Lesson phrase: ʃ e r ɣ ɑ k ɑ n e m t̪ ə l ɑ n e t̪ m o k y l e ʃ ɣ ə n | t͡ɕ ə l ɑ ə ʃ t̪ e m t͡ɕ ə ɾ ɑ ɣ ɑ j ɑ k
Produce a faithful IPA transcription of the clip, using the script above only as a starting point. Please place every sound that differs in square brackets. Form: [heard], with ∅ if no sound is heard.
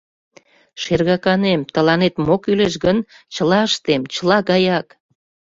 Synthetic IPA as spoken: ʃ e r ɣ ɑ k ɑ n e m t̪ ə l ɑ n e t̪ m o k y l e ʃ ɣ ə n | t͡ɕ ə l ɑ ə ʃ t̪ e m t͡ɕ ə [l] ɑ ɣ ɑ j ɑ k